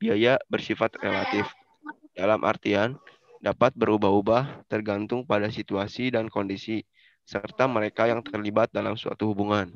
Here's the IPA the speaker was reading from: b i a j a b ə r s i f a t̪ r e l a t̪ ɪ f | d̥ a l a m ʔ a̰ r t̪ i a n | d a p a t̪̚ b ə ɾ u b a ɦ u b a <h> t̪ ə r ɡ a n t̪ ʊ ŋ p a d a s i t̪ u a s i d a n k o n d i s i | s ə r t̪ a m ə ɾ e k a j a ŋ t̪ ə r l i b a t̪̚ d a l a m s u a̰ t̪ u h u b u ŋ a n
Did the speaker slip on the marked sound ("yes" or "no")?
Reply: no